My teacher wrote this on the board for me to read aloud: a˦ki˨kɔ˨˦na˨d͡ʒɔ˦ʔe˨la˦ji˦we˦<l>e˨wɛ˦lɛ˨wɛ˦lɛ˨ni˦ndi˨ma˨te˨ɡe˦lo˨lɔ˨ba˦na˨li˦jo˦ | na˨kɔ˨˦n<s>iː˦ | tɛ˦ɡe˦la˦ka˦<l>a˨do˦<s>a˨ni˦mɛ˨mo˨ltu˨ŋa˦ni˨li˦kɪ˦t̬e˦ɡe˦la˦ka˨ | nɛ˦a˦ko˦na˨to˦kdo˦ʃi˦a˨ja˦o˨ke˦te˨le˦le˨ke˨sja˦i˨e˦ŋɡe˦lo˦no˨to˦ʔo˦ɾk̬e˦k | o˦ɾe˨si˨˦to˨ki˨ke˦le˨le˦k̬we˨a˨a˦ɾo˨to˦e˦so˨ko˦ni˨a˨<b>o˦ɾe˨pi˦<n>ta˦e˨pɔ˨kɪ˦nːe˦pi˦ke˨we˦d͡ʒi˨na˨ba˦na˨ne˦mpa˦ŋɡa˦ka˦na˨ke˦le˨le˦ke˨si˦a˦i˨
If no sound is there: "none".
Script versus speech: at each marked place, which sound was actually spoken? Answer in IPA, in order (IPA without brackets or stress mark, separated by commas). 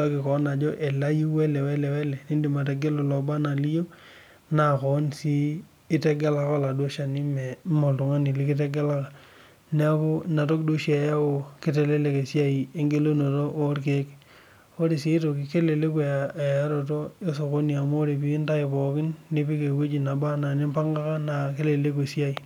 l, s, l, ʃ, m, n